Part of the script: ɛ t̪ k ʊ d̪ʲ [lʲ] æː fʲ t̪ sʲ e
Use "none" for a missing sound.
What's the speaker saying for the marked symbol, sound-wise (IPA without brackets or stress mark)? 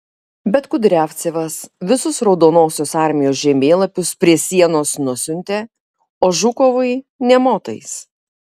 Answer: ɾʲ